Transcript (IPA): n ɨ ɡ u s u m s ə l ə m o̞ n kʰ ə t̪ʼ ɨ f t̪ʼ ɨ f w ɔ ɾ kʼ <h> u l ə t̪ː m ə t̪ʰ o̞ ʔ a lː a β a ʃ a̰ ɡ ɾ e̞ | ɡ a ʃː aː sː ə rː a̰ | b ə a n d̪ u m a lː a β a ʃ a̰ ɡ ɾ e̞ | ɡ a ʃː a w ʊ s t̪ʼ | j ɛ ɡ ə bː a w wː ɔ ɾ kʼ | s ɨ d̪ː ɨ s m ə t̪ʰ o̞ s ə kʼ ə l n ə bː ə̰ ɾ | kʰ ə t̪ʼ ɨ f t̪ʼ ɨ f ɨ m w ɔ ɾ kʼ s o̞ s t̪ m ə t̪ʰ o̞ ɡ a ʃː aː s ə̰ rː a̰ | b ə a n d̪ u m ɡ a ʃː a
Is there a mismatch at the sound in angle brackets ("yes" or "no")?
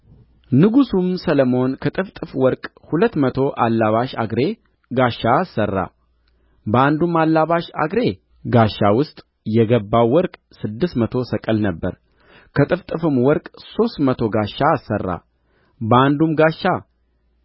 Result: no